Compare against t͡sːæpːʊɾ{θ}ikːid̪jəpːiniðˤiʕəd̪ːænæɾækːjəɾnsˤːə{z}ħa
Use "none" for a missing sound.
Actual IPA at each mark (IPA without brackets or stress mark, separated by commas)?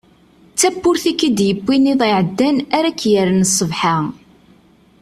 θ, v